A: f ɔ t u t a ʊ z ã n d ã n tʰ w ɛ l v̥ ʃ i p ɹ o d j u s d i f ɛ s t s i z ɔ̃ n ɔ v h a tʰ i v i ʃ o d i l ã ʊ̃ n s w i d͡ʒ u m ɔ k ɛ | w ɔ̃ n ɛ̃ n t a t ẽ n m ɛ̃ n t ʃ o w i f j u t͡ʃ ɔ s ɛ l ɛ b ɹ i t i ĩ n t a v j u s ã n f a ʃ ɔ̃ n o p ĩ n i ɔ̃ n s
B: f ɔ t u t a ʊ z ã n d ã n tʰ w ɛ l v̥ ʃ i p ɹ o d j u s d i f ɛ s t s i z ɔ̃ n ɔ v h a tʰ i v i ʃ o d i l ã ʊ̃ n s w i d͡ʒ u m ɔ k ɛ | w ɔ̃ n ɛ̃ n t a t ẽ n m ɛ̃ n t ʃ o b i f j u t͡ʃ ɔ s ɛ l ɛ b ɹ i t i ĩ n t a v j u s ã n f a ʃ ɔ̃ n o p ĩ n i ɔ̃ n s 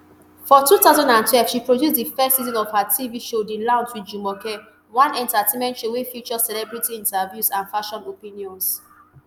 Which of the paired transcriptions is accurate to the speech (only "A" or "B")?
A